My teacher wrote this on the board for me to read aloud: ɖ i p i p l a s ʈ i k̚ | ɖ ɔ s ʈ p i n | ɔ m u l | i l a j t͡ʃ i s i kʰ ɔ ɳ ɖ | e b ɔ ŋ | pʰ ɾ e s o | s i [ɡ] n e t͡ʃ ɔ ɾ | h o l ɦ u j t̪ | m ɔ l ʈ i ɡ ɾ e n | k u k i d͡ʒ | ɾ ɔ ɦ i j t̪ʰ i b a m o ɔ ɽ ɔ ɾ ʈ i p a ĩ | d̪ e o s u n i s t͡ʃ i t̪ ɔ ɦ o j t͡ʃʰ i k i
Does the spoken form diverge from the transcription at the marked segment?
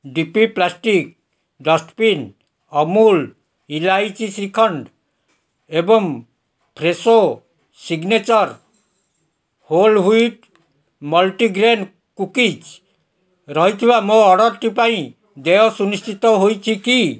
no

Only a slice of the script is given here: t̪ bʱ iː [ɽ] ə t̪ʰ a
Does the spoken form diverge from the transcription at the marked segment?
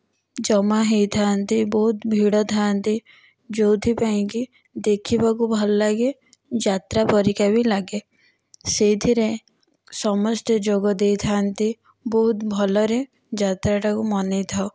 no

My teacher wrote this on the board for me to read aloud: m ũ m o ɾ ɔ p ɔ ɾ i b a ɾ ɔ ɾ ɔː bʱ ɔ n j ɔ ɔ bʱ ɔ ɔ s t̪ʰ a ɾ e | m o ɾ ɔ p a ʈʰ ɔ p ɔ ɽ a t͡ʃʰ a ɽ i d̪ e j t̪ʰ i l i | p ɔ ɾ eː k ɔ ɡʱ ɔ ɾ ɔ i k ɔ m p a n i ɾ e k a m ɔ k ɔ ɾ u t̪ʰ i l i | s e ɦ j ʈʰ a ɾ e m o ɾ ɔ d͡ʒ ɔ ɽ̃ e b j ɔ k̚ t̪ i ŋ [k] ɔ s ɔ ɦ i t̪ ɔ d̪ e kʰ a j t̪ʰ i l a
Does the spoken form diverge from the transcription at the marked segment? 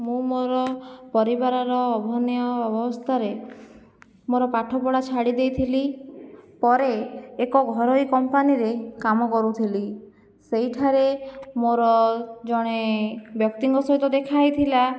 yes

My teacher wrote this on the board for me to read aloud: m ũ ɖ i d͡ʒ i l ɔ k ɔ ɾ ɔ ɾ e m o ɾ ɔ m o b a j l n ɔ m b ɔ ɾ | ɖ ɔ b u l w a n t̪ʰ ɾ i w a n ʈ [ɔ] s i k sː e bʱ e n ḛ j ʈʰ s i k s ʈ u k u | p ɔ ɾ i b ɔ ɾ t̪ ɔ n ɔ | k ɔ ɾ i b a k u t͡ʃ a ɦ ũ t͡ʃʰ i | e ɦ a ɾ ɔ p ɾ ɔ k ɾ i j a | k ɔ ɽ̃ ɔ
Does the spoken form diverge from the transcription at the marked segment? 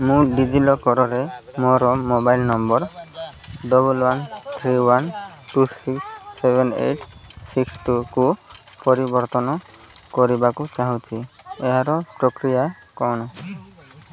yes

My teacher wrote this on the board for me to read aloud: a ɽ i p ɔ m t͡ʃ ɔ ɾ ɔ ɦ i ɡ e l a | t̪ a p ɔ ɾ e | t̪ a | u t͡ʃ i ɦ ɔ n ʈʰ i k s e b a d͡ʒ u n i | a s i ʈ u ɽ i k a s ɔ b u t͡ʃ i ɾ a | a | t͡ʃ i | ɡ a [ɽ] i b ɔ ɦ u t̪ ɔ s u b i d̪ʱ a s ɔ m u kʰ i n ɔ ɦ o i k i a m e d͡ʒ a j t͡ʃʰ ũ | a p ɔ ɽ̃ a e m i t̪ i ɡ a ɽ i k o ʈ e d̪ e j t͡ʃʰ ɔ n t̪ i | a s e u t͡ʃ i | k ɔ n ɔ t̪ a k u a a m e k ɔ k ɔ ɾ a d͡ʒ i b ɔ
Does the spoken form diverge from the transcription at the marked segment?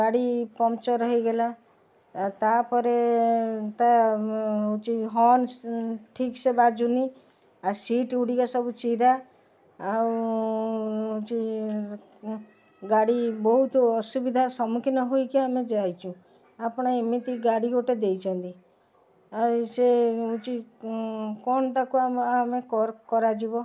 no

